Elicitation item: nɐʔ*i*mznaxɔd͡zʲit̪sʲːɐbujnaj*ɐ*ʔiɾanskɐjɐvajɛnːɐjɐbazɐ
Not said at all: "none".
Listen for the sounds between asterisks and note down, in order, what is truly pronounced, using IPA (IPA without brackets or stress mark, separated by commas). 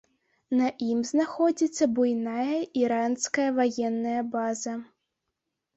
i, ɐ